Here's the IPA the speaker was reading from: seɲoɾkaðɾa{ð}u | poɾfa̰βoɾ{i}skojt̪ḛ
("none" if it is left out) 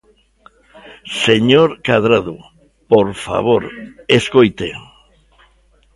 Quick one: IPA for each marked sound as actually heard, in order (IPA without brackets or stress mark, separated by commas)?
ð, e